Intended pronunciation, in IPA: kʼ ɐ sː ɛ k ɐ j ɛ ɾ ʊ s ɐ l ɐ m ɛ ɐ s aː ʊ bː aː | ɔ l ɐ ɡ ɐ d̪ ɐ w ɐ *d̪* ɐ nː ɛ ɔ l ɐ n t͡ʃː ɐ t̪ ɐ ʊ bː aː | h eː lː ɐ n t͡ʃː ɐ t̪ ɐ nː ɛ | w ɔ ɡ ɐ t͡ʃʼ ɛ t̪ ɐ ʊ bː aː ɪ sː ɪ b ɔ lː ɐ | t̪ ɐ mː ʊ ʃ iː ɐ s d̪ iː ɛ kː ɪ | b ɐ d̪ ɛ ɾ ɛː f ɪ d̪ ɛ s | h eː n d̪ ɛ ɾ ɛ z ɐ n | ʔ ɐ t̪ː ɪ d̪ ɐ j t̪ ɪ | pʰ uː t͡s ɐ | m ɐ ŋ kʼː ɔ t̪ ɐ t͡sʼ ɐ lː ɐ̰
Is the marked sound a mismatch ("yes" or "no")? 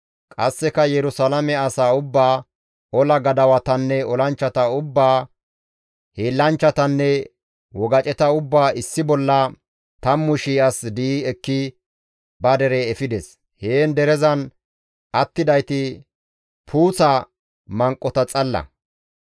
yes